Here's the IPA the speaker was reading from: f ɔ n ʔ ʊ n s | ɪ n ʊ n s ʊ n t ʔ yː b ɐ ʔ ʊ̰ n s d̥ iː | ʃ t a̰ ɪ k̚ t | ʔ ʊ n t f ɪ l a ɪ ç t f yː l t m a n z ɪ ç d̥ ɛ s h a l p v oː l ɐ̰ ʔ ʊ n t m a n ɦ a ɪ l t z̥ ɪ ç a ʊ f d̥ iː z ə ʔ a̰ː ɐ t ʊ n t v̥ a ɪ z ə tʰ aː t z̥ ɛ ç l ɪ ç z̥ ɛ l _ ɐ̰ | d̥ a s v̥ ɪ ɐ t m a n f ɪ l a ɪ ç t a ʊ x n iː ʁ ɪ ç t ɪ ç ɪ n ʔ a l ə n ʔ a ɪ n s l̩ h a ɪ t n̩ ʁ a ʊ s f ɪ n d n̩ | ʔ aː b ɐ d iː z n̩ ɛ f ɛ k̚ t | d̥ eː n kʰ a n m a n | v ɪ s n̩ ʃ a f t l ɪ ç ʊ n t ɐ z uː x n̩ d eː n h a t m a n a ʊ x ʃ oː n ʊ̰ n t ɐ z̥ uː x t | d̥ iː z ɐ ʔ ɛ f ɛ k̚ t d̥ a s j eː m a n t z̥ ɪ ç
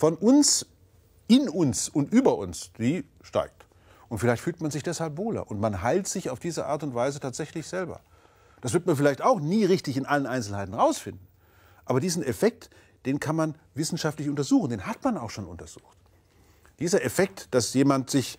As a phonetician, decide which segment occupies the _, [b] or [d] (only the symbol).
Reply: b